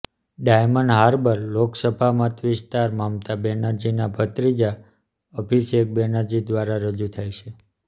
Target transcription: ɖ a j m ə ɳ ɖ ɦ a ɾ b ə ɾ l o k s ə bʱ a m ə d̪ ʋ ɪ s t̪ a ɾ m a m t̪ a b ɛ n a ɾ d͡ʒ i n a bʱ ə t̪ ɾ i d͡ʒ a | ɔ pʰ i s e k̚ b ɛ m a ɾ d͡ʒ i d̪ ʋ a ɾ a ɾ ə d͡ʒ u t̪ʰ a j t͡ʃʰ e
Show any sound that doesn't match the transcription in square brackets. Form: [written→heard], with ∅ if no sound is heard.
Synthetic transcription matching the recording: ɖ a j m ə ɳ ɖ ɦ a ɾ b ə ɾ l o k s ə bʱ a m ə [d̪→t̪] ʋ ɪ s t̪ a ɾ m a m t̪ a b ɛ n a ɾ d͡ʒ i n a bʱ ə t̪ ɾ i d͡ʒ a | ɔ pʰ i s e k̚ b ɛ [m→n] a ɾ d͡ʒ i d̪ ʋ a ɾ a ɾ ə d͡ʒ u t̪ʰ a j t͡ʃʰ e